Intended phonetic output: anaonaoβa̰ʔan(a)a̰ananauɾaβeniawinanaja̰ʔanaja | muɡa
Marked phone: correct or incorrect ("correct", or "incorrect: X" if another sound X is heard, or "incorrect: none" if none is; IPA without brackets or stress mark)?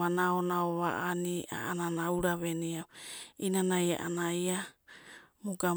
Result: incorrect: i